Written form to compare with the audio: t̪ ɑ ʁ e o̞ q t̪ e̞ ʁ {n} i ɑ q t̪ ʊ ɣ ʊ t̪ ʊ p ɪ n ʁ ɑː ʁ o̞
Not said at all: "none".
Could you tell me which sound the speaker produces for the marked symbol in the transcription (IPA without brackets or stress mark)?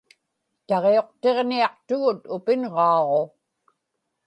n